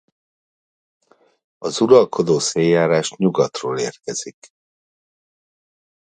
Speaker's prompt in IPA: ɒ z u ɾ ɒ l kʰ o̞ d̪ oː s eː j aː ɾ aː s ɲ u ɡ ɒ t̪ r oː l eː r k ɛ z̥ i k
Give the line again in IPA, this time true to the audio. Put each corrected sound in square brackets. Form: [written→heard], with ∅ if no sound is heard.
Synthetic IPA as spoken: ɒ z u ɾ ɒ l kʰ o̞ d̪ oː s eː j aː ɾ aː [s→ʃ] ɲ u ɡ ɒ t̪ r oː l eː r k ɛ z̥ i k